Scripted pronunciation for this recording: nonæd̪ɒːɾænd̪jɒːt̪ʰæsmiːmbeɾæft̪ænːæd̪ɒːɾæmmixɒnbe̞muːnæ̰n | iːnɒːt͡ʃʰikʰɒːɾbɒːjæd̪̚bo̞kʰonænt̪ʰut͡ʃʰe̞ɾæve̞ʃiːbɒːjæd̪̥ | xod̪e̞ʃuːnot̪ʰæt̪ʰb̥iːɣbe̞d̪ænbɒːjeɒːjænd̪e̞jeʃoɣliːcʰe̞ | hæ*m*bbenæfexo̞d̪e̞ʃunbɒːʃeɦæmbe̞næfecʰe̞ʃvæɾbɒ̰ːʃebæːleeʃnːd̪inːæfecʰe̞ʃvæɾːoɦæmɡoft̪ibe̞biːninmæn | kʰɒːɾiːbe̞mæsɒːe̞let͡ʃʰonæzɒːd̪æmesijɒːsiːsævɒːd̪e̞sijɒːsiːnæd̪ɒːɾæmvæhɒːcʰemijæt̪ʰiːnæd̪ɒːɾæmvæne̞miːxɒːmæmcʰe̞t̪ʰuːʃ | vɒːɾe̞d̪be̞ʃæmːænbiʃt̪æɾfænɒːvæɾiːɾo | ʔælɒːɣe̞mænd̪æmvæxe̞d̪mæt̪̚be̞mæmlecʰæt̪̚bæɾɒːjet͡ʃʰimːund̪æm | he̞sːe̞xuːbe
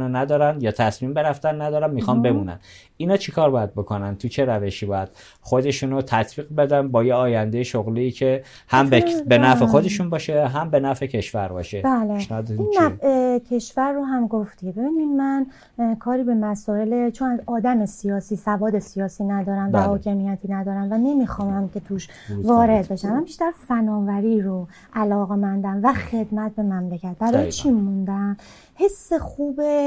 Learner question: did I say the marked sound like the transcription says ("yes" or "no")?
yes